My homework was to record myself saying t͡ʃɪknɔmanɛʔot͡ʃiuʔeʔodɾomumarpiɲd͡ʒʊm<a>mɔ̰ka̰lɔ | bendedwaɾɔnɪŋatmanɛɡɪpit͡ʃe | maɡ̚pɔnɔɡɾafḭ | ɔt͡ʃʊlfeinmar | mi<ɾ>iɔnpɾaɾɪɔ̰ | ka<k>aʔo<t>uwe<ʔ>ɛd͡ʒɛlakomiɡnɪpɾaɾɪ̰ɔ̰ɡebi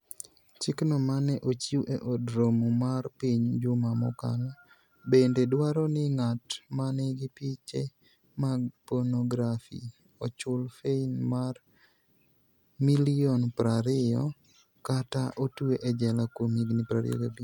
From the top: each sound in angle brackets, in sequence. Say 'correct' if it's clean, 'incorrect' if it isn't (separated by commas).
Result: correct, incorrect, incorrect, correct, correct